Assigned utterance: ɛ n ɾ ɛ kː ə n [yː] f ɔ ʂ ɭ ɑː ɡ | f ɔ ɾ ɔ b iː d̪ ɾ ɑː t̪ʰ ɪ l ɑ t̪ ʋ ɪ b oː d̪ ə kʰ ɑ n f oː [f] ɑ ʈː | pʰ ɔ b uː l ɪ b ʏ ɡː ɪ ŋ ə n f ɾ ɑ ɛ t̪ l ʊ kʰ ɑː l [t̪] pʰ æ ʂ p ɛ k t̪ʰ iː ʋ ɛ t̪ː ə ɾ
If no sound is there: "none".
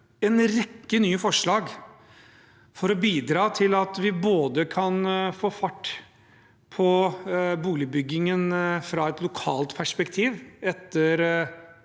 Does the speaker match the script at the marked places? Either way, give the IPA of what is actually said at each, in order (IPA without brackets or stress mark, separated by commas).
yː, f, t̪